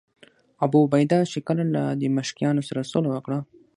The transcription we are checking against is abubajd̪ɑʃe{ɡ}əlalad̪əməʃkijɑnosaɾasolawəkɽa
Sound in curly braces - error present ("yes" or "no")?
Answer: yes